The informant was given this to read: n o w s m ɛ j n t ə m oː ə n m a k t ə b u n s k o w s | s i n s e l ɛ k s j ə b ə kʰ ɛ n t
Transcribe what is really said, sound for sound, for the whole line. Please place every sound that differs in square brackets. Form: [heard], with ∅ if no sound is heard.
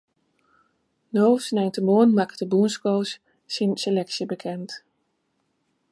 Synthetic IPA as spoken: n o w s [n] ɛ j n t ə m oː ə n m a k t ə b u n s k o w s | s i n s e l ɛ k s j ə b ə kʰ ɛ n t